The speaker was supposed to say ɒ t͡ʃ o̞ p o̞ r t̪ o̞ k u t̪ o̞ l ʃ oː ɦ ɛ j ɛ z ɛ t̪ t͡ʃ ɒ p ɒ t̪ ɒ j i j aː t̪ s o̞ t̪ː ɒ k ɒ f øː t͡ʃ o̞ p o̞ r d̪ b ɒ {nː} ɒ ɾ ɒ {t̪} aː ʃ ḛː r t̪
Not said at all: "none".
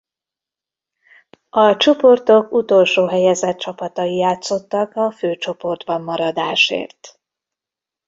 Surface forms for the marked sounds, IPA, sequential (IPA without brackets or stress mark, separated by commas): mː, d̪